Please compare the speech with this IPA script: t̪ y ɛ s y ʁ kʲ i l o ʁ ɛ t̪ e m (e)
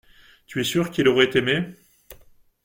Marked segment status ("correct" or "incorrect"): correct